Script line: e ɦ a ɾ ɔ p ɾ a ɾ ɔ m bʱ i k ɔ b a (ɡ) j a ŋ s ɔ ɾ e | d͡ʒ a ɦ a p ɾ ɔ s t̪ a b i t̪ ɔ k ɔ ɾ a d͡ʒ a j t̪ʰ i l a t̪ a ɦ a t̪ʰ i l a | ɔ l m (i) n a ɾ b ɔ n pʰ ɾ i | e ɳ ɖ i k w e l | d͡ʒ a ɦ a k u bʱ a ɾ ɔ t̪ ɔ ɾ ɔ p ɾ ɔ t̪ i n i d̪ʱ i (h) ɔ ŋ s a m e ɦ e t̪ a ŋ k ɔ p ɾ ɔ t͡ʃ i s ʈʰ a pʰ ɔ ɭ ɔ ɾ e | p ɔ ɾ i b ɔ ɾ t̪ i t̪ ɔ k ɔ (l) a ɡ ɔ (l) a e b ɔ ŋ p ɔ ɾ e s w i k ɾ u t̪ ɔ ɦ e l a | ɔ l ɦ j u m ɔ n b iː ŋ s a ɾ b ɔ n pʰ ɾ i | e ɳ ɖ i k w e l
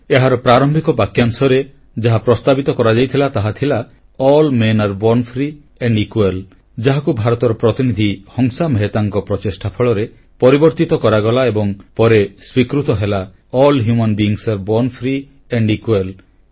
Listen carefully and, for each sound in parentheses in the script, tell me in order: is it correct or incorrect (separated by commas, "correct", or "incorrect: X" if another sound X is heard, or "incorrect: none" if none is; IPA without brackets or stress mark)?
incorrect: k, incorrect: e, correct, incorrect: ɾ, correct